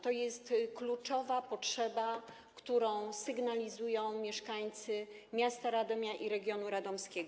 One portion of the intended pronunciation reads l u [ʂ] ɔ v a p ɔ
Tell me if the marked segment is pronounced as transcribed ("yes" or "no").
no